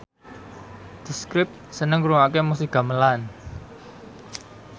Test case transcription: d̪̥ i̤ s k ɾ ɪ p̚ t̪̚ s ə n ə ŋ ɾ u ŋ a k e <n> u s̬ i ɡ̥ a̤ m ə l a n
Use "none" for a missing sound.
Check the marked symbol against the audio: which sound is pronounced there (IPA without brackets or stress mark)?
m